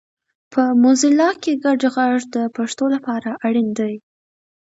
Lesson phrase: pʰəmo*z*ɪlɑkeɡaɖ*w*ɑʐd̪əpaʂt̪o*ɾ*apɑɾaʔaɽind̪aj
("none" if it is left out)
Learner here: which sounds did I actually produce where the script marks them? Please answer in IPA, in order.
z, ɣ, l

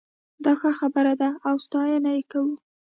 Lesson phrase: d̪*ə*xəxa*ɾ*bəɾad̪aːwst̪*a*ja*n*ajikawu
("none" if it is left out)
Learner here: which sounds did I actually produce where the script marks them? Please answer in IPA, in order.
ɑ, none, ɑ, n

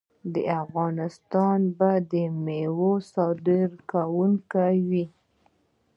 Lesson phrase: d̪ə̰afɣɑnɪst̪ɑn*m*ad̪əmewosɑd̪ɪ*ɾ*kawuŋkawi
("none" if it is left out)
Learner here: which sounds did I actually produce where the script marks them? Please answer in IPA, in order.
b, ɾ

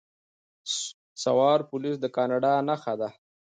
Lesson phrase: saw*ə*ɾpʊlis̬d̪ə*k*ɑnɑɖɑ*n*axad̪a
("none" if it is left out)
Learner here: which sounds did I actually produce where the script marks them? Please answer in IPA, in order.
ɑ, k, n

